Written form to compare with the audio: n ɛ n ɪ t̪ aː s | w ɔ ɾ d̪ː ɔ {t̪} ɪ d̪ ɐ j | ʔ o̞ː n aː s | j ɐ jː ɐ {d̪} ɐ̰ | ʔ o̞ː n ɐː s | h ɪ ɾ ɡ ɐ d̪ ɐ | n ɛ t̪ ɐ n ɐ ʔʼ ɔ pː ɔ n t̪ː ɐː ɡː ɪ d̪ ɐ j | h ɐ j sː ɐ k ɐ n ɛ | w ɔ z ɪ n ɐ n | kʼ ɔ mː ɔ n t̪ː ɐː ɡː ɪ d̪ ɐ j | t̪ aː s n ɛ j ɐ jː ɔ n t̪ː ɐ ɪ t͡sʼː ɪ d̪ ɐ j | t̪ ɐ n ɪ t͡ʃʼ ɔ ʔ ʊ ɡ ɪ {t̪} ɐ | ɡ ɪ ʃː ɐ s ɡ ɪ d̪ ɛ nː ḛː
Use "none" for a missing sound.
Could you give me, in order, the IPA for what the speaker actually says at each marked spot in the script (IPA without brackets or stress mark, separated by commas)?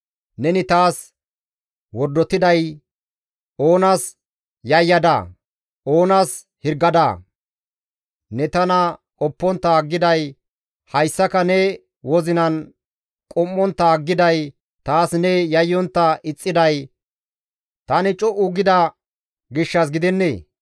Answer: t̪, d̪, d̪